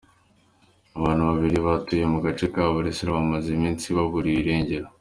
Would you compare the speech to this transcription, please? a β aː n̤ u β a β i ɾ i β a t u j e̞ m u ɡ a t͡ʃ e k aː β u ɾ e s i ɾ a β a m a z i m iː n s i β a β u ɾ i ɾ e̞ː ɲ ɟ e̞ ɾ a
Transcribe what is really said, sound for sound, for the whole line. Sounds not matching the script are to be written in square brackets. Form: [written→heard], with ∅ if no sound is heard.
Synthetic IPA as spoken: a β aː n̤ u β a β i ɾ i β a t u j e̞ m u ɡ a t͡ʃ e k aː β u ɾ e s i ɾ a β a m a z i m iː n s i β a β u ɾ i ɾ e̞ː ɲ ɟ e̞ ɾ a